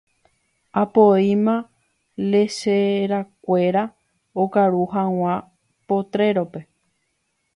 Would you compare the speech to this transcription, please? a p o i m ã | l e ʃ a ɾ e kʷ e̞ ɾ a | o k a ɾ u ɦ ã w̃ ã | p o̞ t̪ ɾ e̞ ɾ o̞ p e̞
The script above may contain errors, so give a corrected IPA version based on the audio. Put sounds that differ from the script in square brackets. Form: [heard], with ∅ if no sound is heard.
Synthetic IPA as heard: a p o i m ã | l e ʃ [e] ɾ [a] kʷ e̞ ɾ a | o k a ɾ u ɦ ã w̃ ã | p o̞ t̪ ɾ e̞ ɾ o̞ p e̞